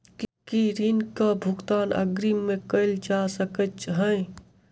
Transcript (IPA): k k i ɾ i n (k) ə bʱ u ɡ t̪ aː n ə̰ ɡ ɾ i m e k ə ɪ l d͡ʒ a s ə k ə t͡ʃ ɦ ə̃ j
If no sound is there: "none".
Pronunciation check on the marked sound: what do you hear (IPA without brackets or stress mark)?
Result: k